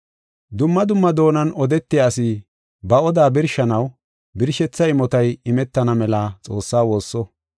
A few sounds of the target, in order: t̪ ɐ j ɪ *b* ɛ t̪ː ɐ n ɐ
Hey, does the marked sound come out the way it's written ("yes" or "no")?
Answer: no